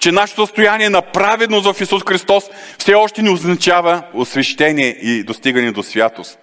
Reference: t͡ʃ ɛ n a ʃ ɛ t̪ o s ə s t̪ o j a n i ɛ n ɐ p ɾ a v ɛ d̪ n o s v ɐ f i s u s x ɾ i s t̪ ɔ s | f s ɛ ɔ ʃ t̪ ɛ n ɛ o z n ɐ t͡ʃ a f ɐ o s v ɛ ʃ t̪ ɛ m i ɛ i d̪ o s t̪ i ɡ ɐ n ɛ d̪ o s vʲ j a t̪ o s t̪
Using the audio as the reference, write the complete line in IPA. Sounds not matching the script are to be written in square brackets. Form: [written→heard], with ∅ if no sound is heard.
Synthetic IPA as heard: t͡ʃ ɛ n a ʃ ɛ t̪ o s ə s t̪ o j a n i ɛ n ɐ p ɾ a v ɛ d̪ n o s v ɐ f i s u s x ɾ i s t̪ ɔ s | f s ɛ ɔ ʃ t̪ ɛ n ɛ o z n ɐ t͡ʃ a [f→v] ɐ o s v ɛ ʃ t̪ ɛ [m→n] i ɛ i d̪ o s t̪ i ɡ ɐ n ɛ d̪ o s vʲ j a t̪ o s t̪